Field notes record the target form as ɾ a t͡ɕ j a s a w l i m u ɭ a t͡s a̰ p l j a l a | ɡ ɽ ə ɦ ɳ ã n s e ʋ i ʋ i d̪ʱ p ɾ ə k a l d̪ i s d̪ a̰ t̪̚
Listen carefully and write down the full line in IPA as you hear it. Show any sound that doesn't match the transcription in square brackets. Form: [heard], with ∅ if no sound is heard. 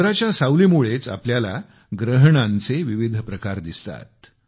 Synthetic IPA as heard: ɾ a t͡ɕ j a s a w l i m u ɭ [e] t͡s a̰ p l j a l a | ɡ [ɾ] ə ɦ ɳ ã n [t͡s] e ʋ i ʋ i d̪ʱ p ɾ ə k a [ɾ] d̪ i s [t̪] a̰ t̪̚